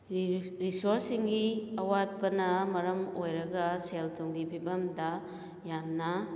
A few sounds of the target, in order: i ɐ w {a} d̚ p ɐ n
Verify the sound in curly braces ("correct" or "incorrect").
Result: correct